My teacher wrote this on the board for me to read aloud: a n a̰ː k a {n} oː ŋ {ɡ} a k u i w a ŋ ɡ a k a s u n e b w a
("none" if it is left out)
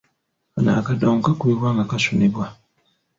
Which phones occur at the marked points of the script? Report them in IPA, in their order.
d, k

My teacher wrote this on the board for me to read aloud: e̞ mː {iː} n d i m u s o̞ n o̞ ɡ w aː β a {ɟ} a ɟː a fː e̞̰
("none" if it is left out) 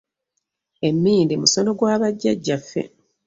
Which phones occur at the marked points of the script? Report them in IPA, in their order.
iː, ɟː

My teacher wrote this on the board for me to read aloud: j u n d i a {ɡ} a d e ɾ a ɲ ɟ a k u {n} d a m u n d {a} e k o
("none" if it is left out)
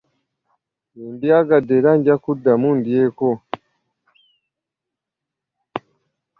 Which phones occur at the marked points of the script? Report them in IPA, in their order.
ɡ, none, i

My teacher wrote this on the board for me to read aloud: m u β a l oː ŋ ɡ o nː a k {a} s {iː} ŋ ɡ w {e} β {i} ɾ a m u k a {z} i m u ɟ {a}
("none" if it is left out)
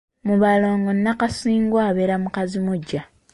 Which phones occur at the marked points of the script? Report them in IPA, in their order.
a, iː, a, e, z, a

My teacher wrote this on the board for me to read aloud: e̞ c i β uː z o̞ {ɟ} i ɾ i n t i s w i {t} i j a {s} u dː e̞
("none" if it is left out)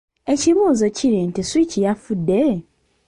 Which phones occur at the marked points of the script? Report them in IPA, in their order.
c, c, f

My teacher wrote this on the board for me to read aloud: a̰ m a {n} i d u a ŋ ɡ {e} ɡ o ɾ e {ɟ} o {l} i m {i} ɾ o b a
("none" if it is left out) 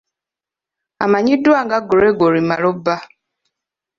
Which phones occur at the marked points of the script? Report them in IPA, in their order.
ɲ, a, ɡ, ɾ, a

